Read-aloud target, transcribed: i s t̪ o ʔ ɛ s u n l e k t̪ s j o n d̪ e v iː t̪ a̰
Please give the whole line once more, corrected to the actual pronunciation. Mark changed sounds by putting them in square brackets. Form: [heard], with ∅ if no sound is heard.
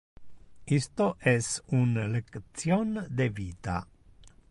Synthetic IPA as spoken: i s t̪ o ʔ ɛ s u n l e k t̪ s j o n d̪ e v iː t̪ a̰